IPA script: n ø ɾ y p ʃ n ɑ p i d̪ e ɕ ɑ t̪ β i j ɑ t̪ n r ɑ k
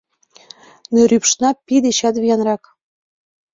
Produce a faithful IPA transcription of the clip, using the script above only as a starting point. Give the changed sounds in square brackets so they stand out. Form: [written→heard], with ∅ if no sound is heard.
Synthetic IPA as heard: n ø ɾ y p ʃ n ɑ p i d̪ e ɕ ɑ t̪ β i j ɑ [t̪→∅] n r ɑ k